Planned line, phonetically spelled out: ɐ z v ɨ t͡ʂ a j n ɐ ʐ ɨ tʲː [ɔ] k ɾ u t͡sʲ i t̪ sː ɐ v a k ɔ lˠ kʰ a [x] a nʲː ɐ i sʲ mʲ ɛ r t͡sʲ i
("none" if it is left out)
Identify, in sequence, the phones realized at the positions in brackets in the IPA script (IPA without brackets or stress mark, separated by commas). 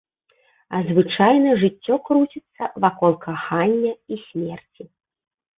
ɔ, x